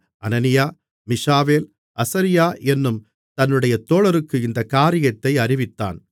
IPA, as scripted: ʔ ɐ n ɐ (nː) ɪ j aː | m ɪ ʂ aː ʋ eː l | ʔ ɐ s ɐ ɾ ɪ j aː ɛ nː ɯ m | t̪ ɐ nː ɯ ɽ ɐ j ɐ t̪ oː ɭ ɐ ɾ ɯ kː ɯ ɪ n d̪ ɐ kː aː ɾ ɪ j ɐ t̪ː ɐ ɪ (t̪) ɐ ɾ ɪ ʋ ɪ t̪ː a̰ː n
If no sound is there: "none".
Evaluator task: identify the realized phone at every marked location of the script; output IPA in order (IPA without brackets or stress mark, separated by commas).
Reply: n, none